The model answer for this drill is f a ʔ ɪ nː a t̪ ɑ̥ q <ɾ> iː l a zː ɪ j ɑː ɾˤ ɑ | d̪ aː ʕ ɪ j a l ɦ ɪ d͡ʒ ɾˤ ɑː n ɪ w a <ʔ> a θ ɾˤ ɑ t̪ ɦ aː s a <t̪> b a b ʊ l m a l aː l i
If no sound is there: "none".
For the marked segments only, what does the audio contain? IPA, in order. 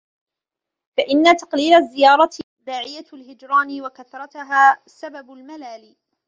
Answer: l, k, none

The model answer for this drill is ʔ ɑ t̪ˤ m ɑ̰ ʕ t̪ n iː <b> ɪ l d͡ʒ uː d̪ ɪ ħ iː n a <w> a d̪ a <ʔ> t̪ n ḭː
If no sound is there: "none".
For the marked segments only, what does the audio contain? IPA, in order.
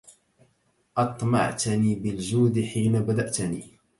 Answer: b, b, ʔ

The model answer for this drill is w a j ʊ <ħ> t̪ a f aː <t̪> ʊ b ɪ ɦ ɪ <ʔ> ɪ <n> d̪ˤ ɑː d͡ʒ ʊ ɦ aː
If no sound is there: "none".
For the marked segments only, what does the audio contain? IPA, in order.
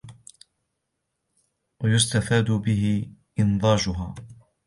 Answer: s, d̪, ʔ, n

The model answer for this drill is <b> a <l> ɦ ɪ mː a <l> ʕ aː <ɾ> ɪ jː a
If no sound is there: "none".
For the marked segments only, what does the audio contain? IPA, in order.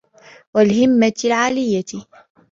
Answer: w, l, l, l

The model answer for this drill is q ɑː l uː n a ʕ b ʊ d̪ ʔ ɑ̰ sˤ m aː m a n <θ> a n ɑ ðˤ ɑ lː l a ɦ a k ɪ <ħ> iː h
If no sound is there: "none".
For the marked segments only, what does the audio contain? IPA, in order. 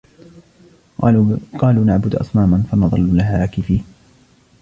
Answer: f, f

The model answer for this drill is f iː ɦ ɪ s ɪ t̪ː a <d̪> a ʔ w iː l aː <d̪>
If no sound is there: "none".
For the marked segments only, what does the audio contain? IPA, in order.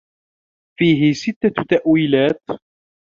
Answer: t̪, t̪

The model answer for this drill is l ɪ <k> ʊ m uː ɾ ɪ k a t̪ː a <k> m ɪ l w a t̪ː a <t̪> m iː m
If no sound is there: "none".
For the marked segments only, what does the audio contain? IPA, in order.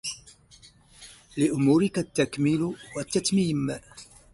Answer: ʔ, k, t̪

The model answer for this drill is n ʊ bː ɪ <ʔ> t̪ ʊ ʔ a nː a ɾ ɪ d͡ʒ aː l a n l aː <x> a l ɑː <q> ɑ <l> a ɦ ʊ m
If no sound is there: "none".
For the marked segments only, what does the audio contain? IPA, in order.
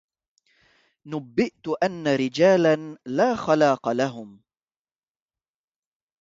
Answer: ʔ, x, q, l

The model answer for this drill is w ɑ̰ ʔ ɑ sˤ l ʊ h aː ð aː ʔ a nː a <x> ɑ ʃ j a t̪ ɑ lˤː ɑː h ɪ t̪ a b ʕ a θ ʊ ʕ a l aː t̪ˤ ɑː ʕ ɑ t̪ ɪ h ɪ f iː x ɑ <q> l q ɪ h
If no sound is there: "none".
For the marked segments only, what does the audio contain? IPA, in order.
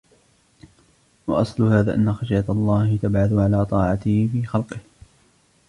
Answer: x, none

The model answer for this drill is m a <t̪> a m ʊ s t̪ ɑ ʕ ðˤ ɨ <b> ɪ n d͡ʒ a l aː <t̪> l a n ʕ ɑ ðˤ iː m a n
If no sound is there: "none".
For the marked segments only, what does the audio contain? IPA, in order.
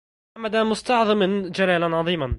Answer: d̪, m, none

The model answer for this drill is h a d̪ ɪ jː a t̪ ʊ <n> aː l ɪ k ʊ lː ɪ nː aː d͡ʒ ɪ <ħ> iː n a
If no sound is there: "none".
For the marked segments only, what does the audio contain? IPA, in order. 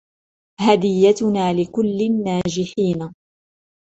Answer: n, ħ

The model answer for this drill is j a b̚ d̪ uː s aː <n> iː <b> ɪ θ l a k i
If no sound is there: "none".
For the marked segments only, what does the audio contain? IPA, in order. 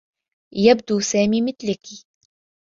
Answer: m, m

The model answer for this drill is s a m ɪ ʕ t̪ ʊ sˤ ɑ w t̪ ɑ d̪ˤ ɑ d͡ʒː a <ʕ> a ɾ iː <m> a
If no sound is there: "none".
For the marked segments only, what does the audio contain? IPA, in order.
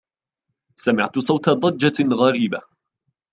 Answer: ɣ, b

